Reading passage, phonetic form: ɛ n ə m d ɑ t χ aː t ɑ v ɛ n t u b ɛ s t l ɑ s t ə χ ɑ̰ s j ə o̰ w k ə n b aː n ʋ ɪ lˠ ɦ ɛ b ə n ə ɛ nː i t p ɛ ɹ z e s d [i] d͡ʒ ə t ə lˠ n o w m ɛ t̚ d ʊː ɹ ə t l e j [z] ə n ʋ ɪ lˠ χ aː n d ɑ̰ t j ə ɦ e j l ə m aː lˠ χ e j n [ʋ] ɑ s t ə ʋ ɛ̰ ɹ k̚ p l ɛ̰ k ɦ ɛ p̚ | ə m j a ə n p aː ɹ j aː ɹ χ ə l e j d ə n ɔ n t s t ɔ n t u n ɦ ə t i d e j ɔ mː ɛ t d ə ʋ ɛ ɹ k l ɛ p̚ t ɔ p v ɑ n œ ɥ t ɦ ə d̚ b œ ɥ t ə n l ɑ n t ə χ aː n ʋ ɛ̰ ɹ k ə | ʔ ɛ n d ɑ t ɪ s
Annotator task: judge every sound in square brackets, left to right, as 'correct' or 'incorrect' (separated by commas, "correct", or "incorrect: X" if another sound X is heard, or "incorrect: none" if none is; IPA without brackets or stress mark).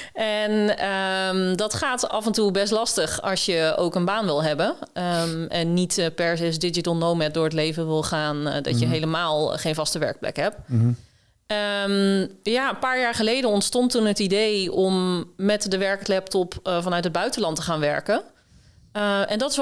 incorrect: ɪ, incorrect: v, incorrect: v